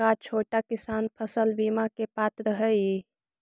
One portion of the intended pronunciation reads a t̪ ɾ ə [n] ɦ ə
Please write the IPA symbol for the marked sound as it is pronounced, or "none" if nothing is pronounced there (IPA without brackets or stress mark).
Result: none